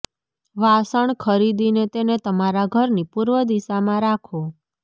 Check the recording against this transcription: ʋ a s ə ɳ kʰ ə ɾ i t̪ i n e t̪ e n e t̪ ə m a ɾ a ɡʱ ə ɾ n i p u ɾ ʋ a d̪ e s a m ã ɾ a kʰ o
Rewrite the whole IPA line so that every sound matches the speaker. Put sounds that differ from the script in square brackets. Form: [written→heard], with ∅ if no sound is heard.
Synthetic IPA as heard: ʋ a s ə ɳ kʰ ə ɾ i [t̪→d̪] i n e t̪ e n e t̪ ə m a ɾ a ɡʱ ə ɾ n i p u ɾ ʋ [a→ə] d̪ [e→i] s a m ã ɾ a kʰ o